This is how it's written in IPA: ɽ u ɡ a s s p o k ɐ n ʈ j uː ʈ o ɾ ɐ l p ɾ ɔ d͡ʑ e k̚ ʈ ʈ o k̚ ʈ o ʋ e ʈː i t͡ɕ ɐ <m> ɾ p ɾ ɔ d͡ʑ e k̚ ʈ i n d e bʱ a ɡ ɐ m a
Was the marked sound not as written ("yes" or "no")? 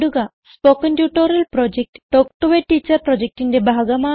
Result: yes